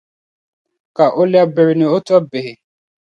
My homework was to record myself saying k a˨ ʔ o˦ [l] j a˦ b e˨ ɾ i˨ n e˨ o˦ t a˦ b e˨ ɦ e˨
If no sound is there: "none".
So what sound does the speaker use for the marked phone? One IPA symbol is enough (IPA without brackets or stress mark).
l